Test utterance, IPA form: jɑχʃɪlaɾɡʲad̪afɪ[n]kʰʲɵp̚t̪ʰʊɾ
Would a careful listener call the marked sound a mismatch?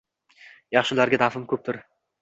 yes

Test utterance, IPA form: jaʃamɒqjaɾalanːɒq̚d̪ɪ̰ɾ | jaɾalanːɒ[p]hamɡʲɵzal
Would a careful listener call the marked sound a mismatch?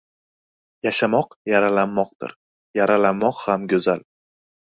yes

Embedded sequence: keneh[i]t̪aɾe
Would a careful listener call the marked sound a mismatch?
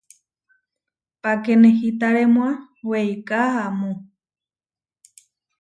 no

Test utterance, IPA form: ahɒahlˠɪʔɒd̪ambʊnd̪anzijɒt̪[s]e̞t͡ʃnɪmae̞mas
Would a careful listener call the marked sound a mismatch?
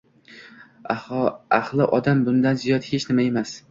yes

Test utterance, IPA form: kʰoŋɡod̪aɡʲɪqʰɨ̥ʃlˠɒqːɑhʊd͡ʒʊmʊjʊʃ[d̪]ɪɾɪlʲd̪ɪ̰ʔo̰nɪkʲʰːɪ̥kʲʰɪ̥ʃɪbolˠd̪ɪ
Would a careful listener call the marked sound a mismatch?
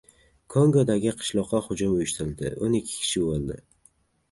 yes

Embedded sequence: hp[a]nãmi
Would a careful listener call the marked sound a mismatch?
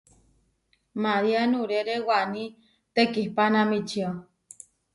no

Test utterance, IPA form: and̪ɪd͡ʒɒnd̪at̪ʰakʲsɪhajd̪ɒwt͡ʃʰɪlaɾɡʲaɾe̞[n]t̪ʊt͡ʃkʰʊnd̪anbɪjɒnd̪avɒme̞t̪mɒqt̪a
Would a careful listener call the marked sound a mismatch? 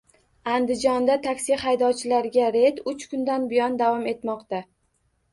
yes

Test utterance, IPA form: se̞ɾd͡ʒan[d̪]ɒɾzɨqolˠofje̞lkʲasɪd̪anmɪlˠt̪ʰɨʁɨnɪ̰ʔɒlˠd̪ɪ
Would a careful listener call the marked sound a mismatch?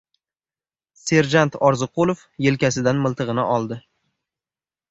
yes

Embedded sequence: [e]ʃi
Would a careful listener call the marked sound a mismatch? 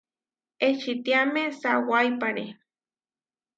no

